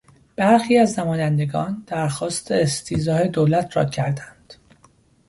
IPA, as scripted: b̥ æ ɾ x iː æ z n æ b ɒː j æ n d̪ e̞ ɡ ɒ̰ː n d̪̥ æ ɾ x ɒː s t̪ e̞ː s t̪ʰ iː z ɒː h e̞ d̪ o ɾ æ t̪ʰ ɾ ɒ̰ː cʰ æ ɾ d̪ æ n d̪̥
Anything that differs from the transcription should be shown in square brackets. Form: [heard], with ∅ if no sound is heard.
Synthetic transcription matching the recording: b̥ æ ɾ x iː æ z n æ [m] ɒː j æ n d̪ e̞ ɡ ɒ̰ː n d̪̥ æ ɾ x ɒː s t̪ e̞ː s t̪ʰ iː z ɒː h e̞ d̪ o [l] æ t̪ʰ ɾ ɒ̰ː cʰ æ ɾ d̪ æ n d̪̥